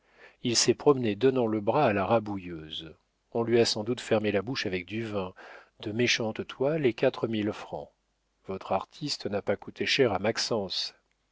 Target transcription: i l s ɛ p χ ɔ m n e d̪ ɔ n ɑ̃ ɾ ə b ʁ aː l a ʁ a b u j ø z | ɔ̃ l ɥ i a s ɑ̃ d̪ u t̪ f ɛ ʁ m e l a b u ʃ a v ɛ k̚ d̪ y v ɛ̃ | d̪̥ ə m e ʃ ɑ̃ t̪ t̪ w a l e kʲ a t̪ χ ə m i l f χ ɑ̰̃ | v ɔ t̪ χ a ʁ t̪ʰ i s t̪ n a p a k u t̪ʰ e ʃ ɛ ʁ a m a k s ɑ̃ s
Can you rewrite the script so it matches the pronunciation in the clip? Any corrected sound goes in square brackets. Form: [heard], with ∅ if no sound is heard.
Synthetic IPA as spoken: i l s ɛ p χ ɔ m n e d̪ ɔ n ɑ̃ [l] ə b ʁ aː l a ʁ a b u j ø z | ɔ̃ l ɥ i a s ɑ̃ d̪ u t̪ f ɛ ʁ m e l a b u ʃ a v ɛ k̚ d̪ y v ɛ̃ | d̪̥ ə m e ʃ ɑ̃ t̪ t̪ w a l e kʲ a t̪ χ ə m i l f χ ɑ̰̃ | v ɔ t̪ χ a ʁ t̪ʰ i s t̪ n a p a k u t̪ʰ e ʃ ɛ ʁ a m a k s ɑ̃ s